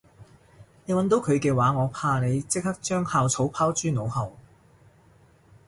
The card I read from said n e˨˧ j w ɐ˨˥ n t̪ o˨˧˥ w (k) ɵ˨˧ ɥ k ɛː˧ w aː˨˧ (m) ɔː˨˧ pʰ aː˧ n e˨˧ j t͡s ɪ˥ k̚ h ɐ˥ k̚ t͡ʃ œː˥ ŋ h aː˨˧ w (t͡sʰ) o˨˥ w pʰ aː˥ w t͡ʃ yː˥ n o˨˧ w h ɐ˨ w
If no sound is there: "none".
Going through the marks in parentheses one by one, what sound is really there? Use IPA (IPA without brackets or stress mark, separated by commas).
kʰ, ŋ, t͡sʰ